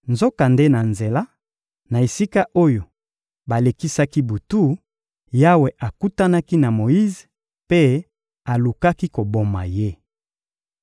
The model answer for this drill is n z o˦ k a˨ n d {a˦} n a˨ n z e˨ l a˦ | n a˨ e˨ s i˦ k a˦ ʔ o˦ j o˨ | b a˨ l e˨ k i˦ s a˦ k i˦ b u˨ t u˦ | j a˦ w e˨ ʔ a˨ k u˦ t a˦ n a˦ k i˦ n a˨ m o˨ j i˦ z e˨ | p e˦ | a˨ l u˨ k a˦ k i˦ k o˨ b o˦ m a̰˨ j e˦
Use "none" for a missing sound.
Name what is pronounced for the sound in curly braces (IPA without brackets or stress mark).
e˦